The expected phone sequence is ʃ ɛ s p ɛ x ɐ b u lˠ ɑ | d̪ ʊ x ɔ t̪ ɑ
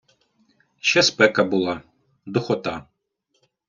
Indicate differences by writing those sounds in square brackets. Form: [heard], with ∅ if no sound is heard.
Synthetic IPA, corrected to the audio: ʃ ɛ s p ɛ [k] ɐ b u lˠ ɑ | d̪ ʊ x ɔ t̪ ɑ